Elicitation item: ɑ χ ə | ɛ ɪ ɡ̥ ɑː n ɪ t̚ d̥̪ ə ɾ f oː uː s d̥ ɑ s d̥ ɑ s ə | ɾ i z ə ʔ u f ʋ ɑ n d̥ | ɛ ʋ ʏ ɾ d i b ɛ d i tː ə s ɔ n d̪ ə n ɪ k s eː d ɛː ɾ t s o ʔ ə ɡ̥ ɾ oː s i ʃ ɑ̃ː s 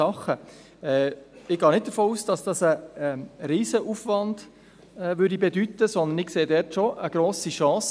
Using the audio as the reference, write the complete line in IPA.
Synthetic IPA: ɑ χ ə | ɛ ɪ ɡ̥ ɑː n ɪ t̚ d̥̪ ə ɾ f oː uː s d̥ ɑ s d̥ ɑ s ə | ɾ iː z ə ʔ u f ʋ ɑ n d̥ | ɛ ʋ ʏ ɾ d i b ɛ d y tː ə s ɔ n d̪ ə n ɪ k s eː d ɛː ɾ t ʃ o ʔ ə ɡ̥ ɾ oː s i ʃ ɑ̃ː s